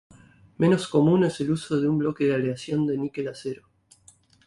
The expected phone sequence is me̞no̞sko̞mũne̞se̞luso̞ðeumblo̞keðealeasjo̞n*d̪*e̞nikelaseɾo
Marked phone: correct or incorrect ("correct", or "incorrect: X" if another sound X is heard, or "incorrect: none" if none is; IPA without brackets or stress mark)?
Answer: correct